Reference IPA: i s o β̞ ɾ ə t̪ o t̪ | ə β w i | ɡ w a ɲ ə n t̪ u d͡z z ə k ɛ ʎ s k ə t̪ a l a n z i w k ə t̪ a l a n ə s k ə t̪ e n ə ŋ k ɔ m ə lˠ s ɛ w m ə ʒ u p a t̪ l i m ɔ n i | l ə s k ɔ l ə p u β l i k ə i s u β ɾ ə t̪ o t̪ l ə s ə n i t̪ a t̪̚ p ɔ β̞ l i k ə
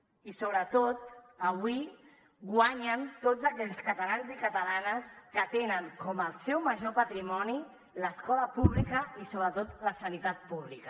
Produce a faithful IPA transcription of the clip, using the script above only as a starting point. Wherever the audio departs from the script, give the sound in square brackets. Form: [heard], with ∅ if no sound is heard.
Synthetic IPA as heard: i s o β̞ ɾ ə t̪ o t̪ | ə β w i | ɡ w a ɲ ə n t̪ [o] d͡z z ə k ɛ ʎ s k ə t̪ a l a n z i [∅] k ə t̪ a l a n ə s k ə t̪ e n ə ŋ k ɔ m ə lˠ s ɛ w m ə ʒ [o] p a t̪ [ɾ] i m ɔ n i | l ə s k ɔ l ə p u β l i k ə i s [o] β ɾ ə t̪ o t̪ l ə s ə n i t̪ a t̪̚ p [u] β̞ l i k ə